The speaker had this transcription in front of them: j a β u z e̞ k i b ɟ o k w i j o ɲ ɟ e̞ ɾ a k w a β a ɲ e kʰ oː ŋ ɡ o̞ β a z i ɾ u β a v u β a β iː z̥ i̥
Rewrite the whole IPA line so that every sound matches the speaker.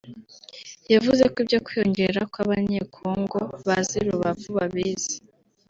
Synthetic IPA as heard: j a v u z e̞ k i b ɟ o k w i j o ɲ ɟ e̞ ɾ a k w a β a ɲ e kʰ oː ŋ ɡ o̞ β a z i ɾ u β a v u β a β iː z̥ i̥

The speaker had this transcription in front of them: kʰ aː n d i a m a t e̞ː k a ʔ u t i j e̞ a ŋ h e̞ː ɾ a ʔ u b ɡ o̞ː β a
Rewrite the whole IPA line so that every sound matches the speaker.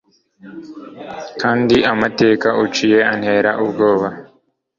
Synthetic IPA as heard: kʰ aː n d i a m a t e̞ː k a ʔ u t͡ʃ i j e̞ a n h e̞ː ɾ a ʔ u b ɡ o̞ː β a

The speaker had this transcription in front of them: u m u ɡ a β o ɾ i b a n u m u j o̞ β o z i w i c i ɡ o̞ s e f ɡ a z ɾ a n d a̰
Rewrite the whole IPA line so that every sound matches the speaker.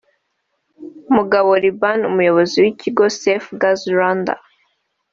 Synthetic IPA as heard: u m u ɡ a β o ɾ i b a n u m u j o̞ β o z i w i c i ɡ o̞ s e f ɡ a z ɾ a n d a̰

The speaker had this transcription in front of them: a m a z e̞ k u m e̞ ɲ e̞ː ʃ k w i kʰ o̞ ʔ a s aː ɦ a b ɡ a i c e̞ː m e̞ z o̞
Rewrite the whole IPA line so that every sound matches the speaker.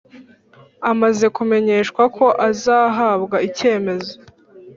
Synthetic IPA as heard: a m a z e̞ k u m e̞ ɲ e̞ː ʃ k w a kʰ o̞ ʔ a z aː ɦ a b ɡ a i c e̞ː m e̞ z o̞

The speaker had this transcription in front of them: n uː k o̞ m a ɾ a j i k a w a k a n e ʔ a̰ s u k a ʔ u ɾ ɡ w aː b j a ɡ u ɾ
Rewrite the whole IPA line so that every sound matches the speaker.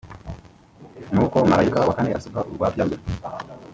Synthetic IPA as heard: n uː k o̞ m a ɾ a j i k a w a k a n e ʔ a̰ s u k a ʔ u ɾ ɡ w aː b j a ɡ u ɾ

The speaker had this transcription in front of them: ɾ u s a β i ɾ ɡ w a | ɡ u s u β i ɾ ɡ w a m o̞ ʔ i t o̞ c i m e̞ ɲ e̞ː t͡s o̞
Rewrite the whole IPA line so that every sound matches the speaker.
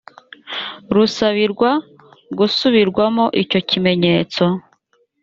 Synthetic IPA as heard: ɾ u s a β i ɾ ɡ w a | ɡ u s u β i ɾ ɡ w a m o̞ ʔ i c o̞ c i m e̞ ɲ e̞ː t͡s o̞

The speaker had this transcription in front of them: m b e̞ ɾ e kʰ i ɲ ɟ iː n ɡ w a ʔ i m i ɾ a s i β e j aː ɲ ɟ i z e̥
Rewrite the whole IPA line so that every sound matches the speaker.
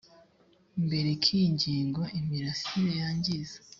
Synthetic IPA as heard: m b e̞ ɾ e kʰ i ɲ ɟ iː ŋ ɡ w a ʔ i m i ɾ a s i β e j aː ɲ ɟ i z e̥

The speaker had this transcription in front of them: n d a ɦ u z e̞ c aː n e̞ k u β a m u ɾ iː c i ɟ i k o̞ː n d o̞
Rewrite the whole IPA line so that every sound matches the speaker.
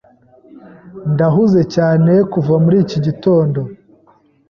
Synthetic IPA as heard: n d a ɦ u z e̞ c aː n e̞ k u v a m u ɾ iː c i ɟ i t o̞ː n d o̞

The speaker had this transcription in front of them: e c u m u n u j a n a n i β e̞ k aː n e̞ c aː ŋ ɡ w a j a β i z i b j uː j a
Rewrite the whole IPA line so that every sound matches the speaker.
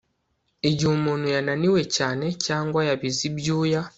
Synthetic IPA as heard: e ɟ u m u n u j a n a n i w e̞ c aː n e̞ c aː ŋ ɡ w a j a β i z i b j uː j a

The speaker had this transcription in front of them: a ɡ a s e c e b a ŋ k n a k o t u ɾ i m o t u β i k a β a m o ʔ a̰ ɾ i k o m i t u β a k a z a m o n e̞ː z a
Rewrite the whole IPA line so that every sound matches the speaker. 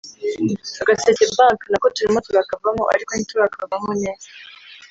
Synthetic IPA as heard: a ɡ a s e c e b a ŋ k n a k o t u ɾ i m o t u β a k a v a m o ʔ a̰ ɾ i k o n i t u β a k a v a m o n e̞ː z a

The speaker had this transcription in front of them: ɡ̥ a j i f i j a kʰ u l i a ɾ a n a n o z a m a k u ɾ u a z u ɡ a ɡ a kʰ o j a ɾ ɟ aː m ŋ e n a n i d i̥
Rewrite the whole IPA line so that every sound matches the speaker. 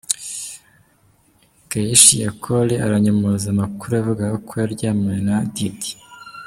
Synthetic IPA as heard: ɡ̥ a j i ʃ i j a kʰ o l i a ɾ a ɲ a m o z a m a k u ɾ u a v u ɡ a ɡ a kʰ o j a ɾ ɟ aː m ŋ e n a d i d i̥

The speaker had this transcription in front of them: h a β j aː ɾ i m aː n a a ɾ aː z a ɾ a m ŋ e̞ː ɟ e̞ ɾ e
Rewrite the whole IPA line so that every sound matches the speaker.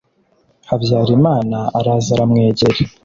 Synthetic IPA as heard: h a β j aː ɾ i m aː n a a ɾ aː z a ɾ a m ŋ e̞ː ɟ e̞ ɾ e

